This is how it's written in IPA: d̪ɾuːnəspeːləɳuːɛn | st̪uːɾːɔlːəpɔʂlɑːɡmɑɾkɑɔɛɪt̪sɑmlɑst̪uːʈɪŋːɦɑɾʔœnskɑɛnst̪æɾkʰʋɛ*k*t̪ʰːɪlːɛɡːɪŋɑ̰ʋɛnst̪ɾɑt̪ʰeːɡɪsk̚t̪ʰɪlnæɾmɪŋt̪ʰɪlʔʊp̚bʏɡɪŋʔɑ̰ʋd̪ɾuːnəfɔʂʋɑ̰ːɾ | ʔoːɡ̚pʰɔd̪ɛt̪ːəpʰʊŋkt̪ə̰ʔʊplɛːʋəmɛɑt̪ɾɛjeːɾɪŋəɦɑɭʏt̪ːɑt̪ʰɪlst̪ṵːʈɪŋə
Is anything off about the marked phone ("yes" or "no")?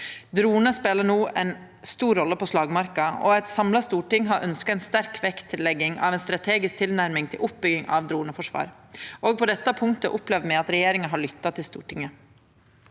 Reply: no